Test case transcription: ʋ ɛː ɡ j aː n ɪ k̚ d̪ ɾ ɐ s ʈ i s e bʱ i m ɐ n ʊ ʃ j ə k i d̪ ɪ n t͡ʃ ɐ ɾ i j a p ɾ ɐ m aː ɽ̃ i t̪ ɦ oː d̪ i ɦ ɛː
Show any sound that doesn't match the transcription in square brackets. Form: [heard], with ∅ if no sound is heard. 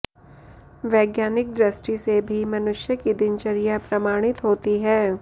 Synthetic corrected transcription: ʋ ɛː ɡ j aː n ɪ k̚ d̪ ɾ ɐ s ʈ i s e bʱ i m ɐ n ʊ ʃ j ə k i d̪ ɪ n t͡ʃ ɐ ɾ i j a p ɾ ɐ m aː ɽ̃ [ɪ] t̪ ɦ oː [t̪] i ɦ ɛː